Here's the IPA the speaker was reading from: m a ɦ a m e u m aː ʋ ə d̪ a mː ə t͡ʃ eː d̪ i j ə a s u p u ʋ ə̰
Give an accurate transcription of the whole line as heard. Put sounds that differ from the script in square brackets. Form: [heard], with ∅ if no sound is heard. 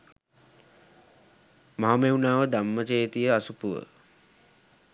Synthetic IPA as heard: m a ɦ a m e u [n] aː ʋ ə d̪ a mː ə t͡ʃ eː [t̪] i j ə a s u p u ʋ ə̰